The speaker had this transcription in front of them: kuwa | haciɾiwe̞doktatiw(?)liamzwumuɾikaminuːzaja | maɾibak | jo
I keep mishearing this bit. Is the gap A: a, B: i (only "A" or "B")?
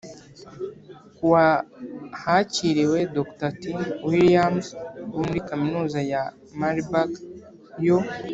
B